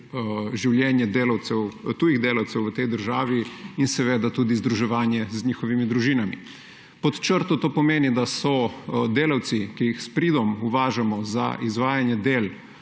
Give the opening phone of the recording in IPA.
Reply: ʒ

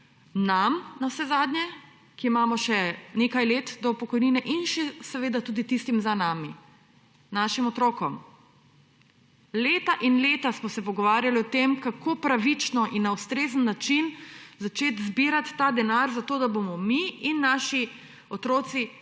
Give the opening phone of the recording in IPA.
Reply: n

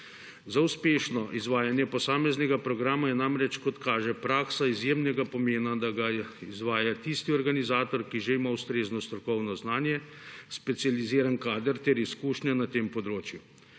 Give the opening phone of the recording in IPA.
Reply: z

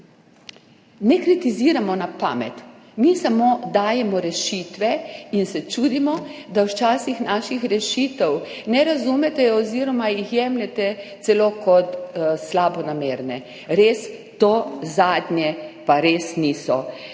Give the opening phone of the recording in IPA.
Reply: n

